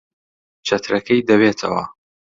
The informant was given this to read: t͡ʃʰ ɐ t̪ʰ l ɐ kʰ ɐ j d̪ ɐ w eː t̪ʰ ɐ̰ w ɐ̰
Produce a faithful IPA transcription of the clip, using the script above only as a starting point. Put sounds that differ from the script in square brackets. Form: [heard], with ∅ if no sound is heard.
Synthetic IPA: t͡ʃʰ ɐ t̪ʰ [ɾ] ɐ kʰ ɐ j d̪ ɐ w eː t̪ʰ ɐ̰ w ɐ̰